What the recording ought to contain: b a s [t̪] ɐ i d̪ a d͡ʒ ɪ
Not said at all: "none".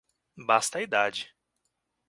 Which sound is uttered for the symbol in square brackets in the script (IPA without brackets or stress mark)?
t̪